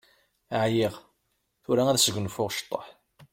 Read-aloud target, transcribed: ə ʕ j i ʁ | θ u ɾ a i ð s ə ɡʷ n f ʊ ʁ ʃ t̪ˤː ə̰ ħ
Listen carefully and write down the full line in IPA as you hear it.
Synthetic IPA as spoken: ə ʕ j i ʁ | θ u ɾ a æ ð s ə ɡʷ n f ʊ ʁ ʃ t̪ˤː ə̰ ħ